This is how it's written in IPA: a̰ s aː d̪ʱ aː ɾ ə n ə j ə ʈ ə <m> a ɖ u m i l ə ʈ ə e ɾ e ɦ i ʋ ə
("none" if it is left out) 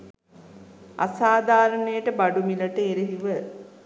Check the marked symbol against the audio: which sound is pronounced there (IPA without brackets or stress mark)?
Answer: b